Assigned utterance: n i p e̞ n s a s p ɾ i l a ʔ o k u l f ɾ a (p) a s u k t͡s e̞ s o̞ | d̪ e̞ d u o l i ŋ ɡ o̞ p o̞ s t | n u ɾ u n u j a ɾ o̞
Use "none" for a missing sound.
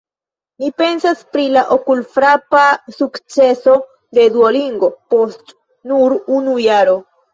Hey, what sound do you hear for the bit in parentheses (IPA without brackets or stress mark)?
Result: p